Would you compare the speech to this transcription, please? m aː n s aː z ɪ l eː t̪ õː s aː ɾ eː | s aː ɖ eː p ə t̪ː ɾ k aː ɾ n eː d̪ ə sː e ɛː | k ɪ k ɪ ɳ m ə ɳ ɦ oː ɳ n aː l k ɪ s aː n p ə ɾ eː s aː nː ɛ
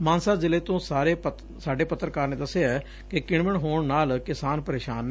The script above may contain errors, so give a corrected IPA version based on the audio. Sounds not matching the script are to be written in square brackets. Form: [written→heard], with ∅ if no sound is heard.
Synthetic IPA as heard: m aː n s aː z ɪ l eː t̪ õː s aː ɾ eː | s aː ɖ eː p ə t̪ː ɾ k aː ɾ n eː d̪ ə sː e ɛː | k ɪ k ɪ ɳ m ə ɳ ɦ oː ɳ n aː l k ɪ s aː n p ə ɾ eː [s→ʃ] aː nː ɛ